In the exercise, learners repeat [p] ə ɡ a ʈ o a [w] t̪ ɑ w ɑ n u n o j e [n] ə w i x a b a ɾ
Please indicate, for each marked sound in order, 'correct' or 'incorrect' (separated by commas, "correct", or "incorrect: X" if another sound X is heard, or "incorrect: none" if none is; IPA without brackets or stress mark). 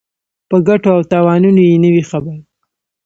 correct, correct, correct